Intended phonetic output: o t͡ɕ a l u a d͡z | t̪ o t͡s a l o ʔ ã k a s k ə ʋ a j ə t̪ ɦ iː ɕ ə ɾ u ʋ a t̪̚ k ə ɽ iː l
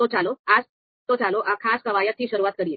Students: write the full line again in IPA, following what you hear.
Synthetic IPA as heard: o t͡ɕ a l o a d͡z | t̪ o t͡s a l o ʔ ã kʰ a s k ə ʋ a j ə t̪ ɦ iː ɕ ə ɾ u ʋ a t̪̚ k ə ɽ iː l